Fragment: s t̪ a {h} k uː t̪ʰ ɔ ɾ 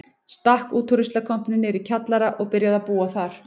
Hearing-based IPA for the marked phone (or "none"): h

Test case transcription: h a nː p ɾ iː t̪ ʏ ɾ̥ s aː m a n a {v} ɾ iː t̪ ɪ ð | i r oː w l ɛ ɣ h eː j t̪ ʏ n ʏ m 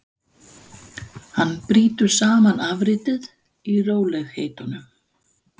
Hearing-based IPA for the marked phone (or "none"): v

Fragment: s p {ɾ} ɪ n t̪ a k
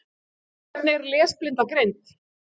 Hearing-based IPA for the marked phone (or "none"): l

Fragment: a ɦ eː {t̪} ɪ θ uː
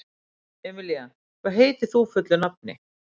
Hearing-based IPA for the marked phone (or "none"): t̪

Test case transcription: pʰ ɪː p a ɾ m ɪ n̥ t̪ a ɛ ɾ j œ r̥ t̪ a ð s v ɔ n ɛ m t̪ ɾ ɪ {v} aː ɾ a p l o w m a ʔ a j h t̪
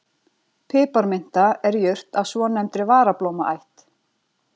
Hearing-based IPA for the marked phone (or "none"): v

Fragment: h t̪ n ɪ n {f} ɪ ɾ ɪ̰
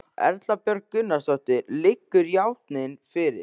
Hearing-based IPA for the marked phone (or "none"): f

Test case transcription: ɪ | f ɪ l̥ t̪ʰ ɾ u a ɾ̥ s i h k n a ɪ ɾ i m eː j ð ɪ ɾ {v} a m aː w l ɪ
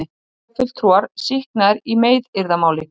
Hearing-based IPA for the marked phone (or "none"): ð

